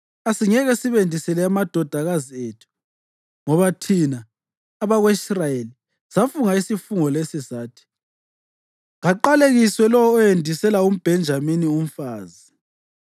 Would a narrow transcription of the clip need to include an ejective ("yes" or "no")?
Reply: no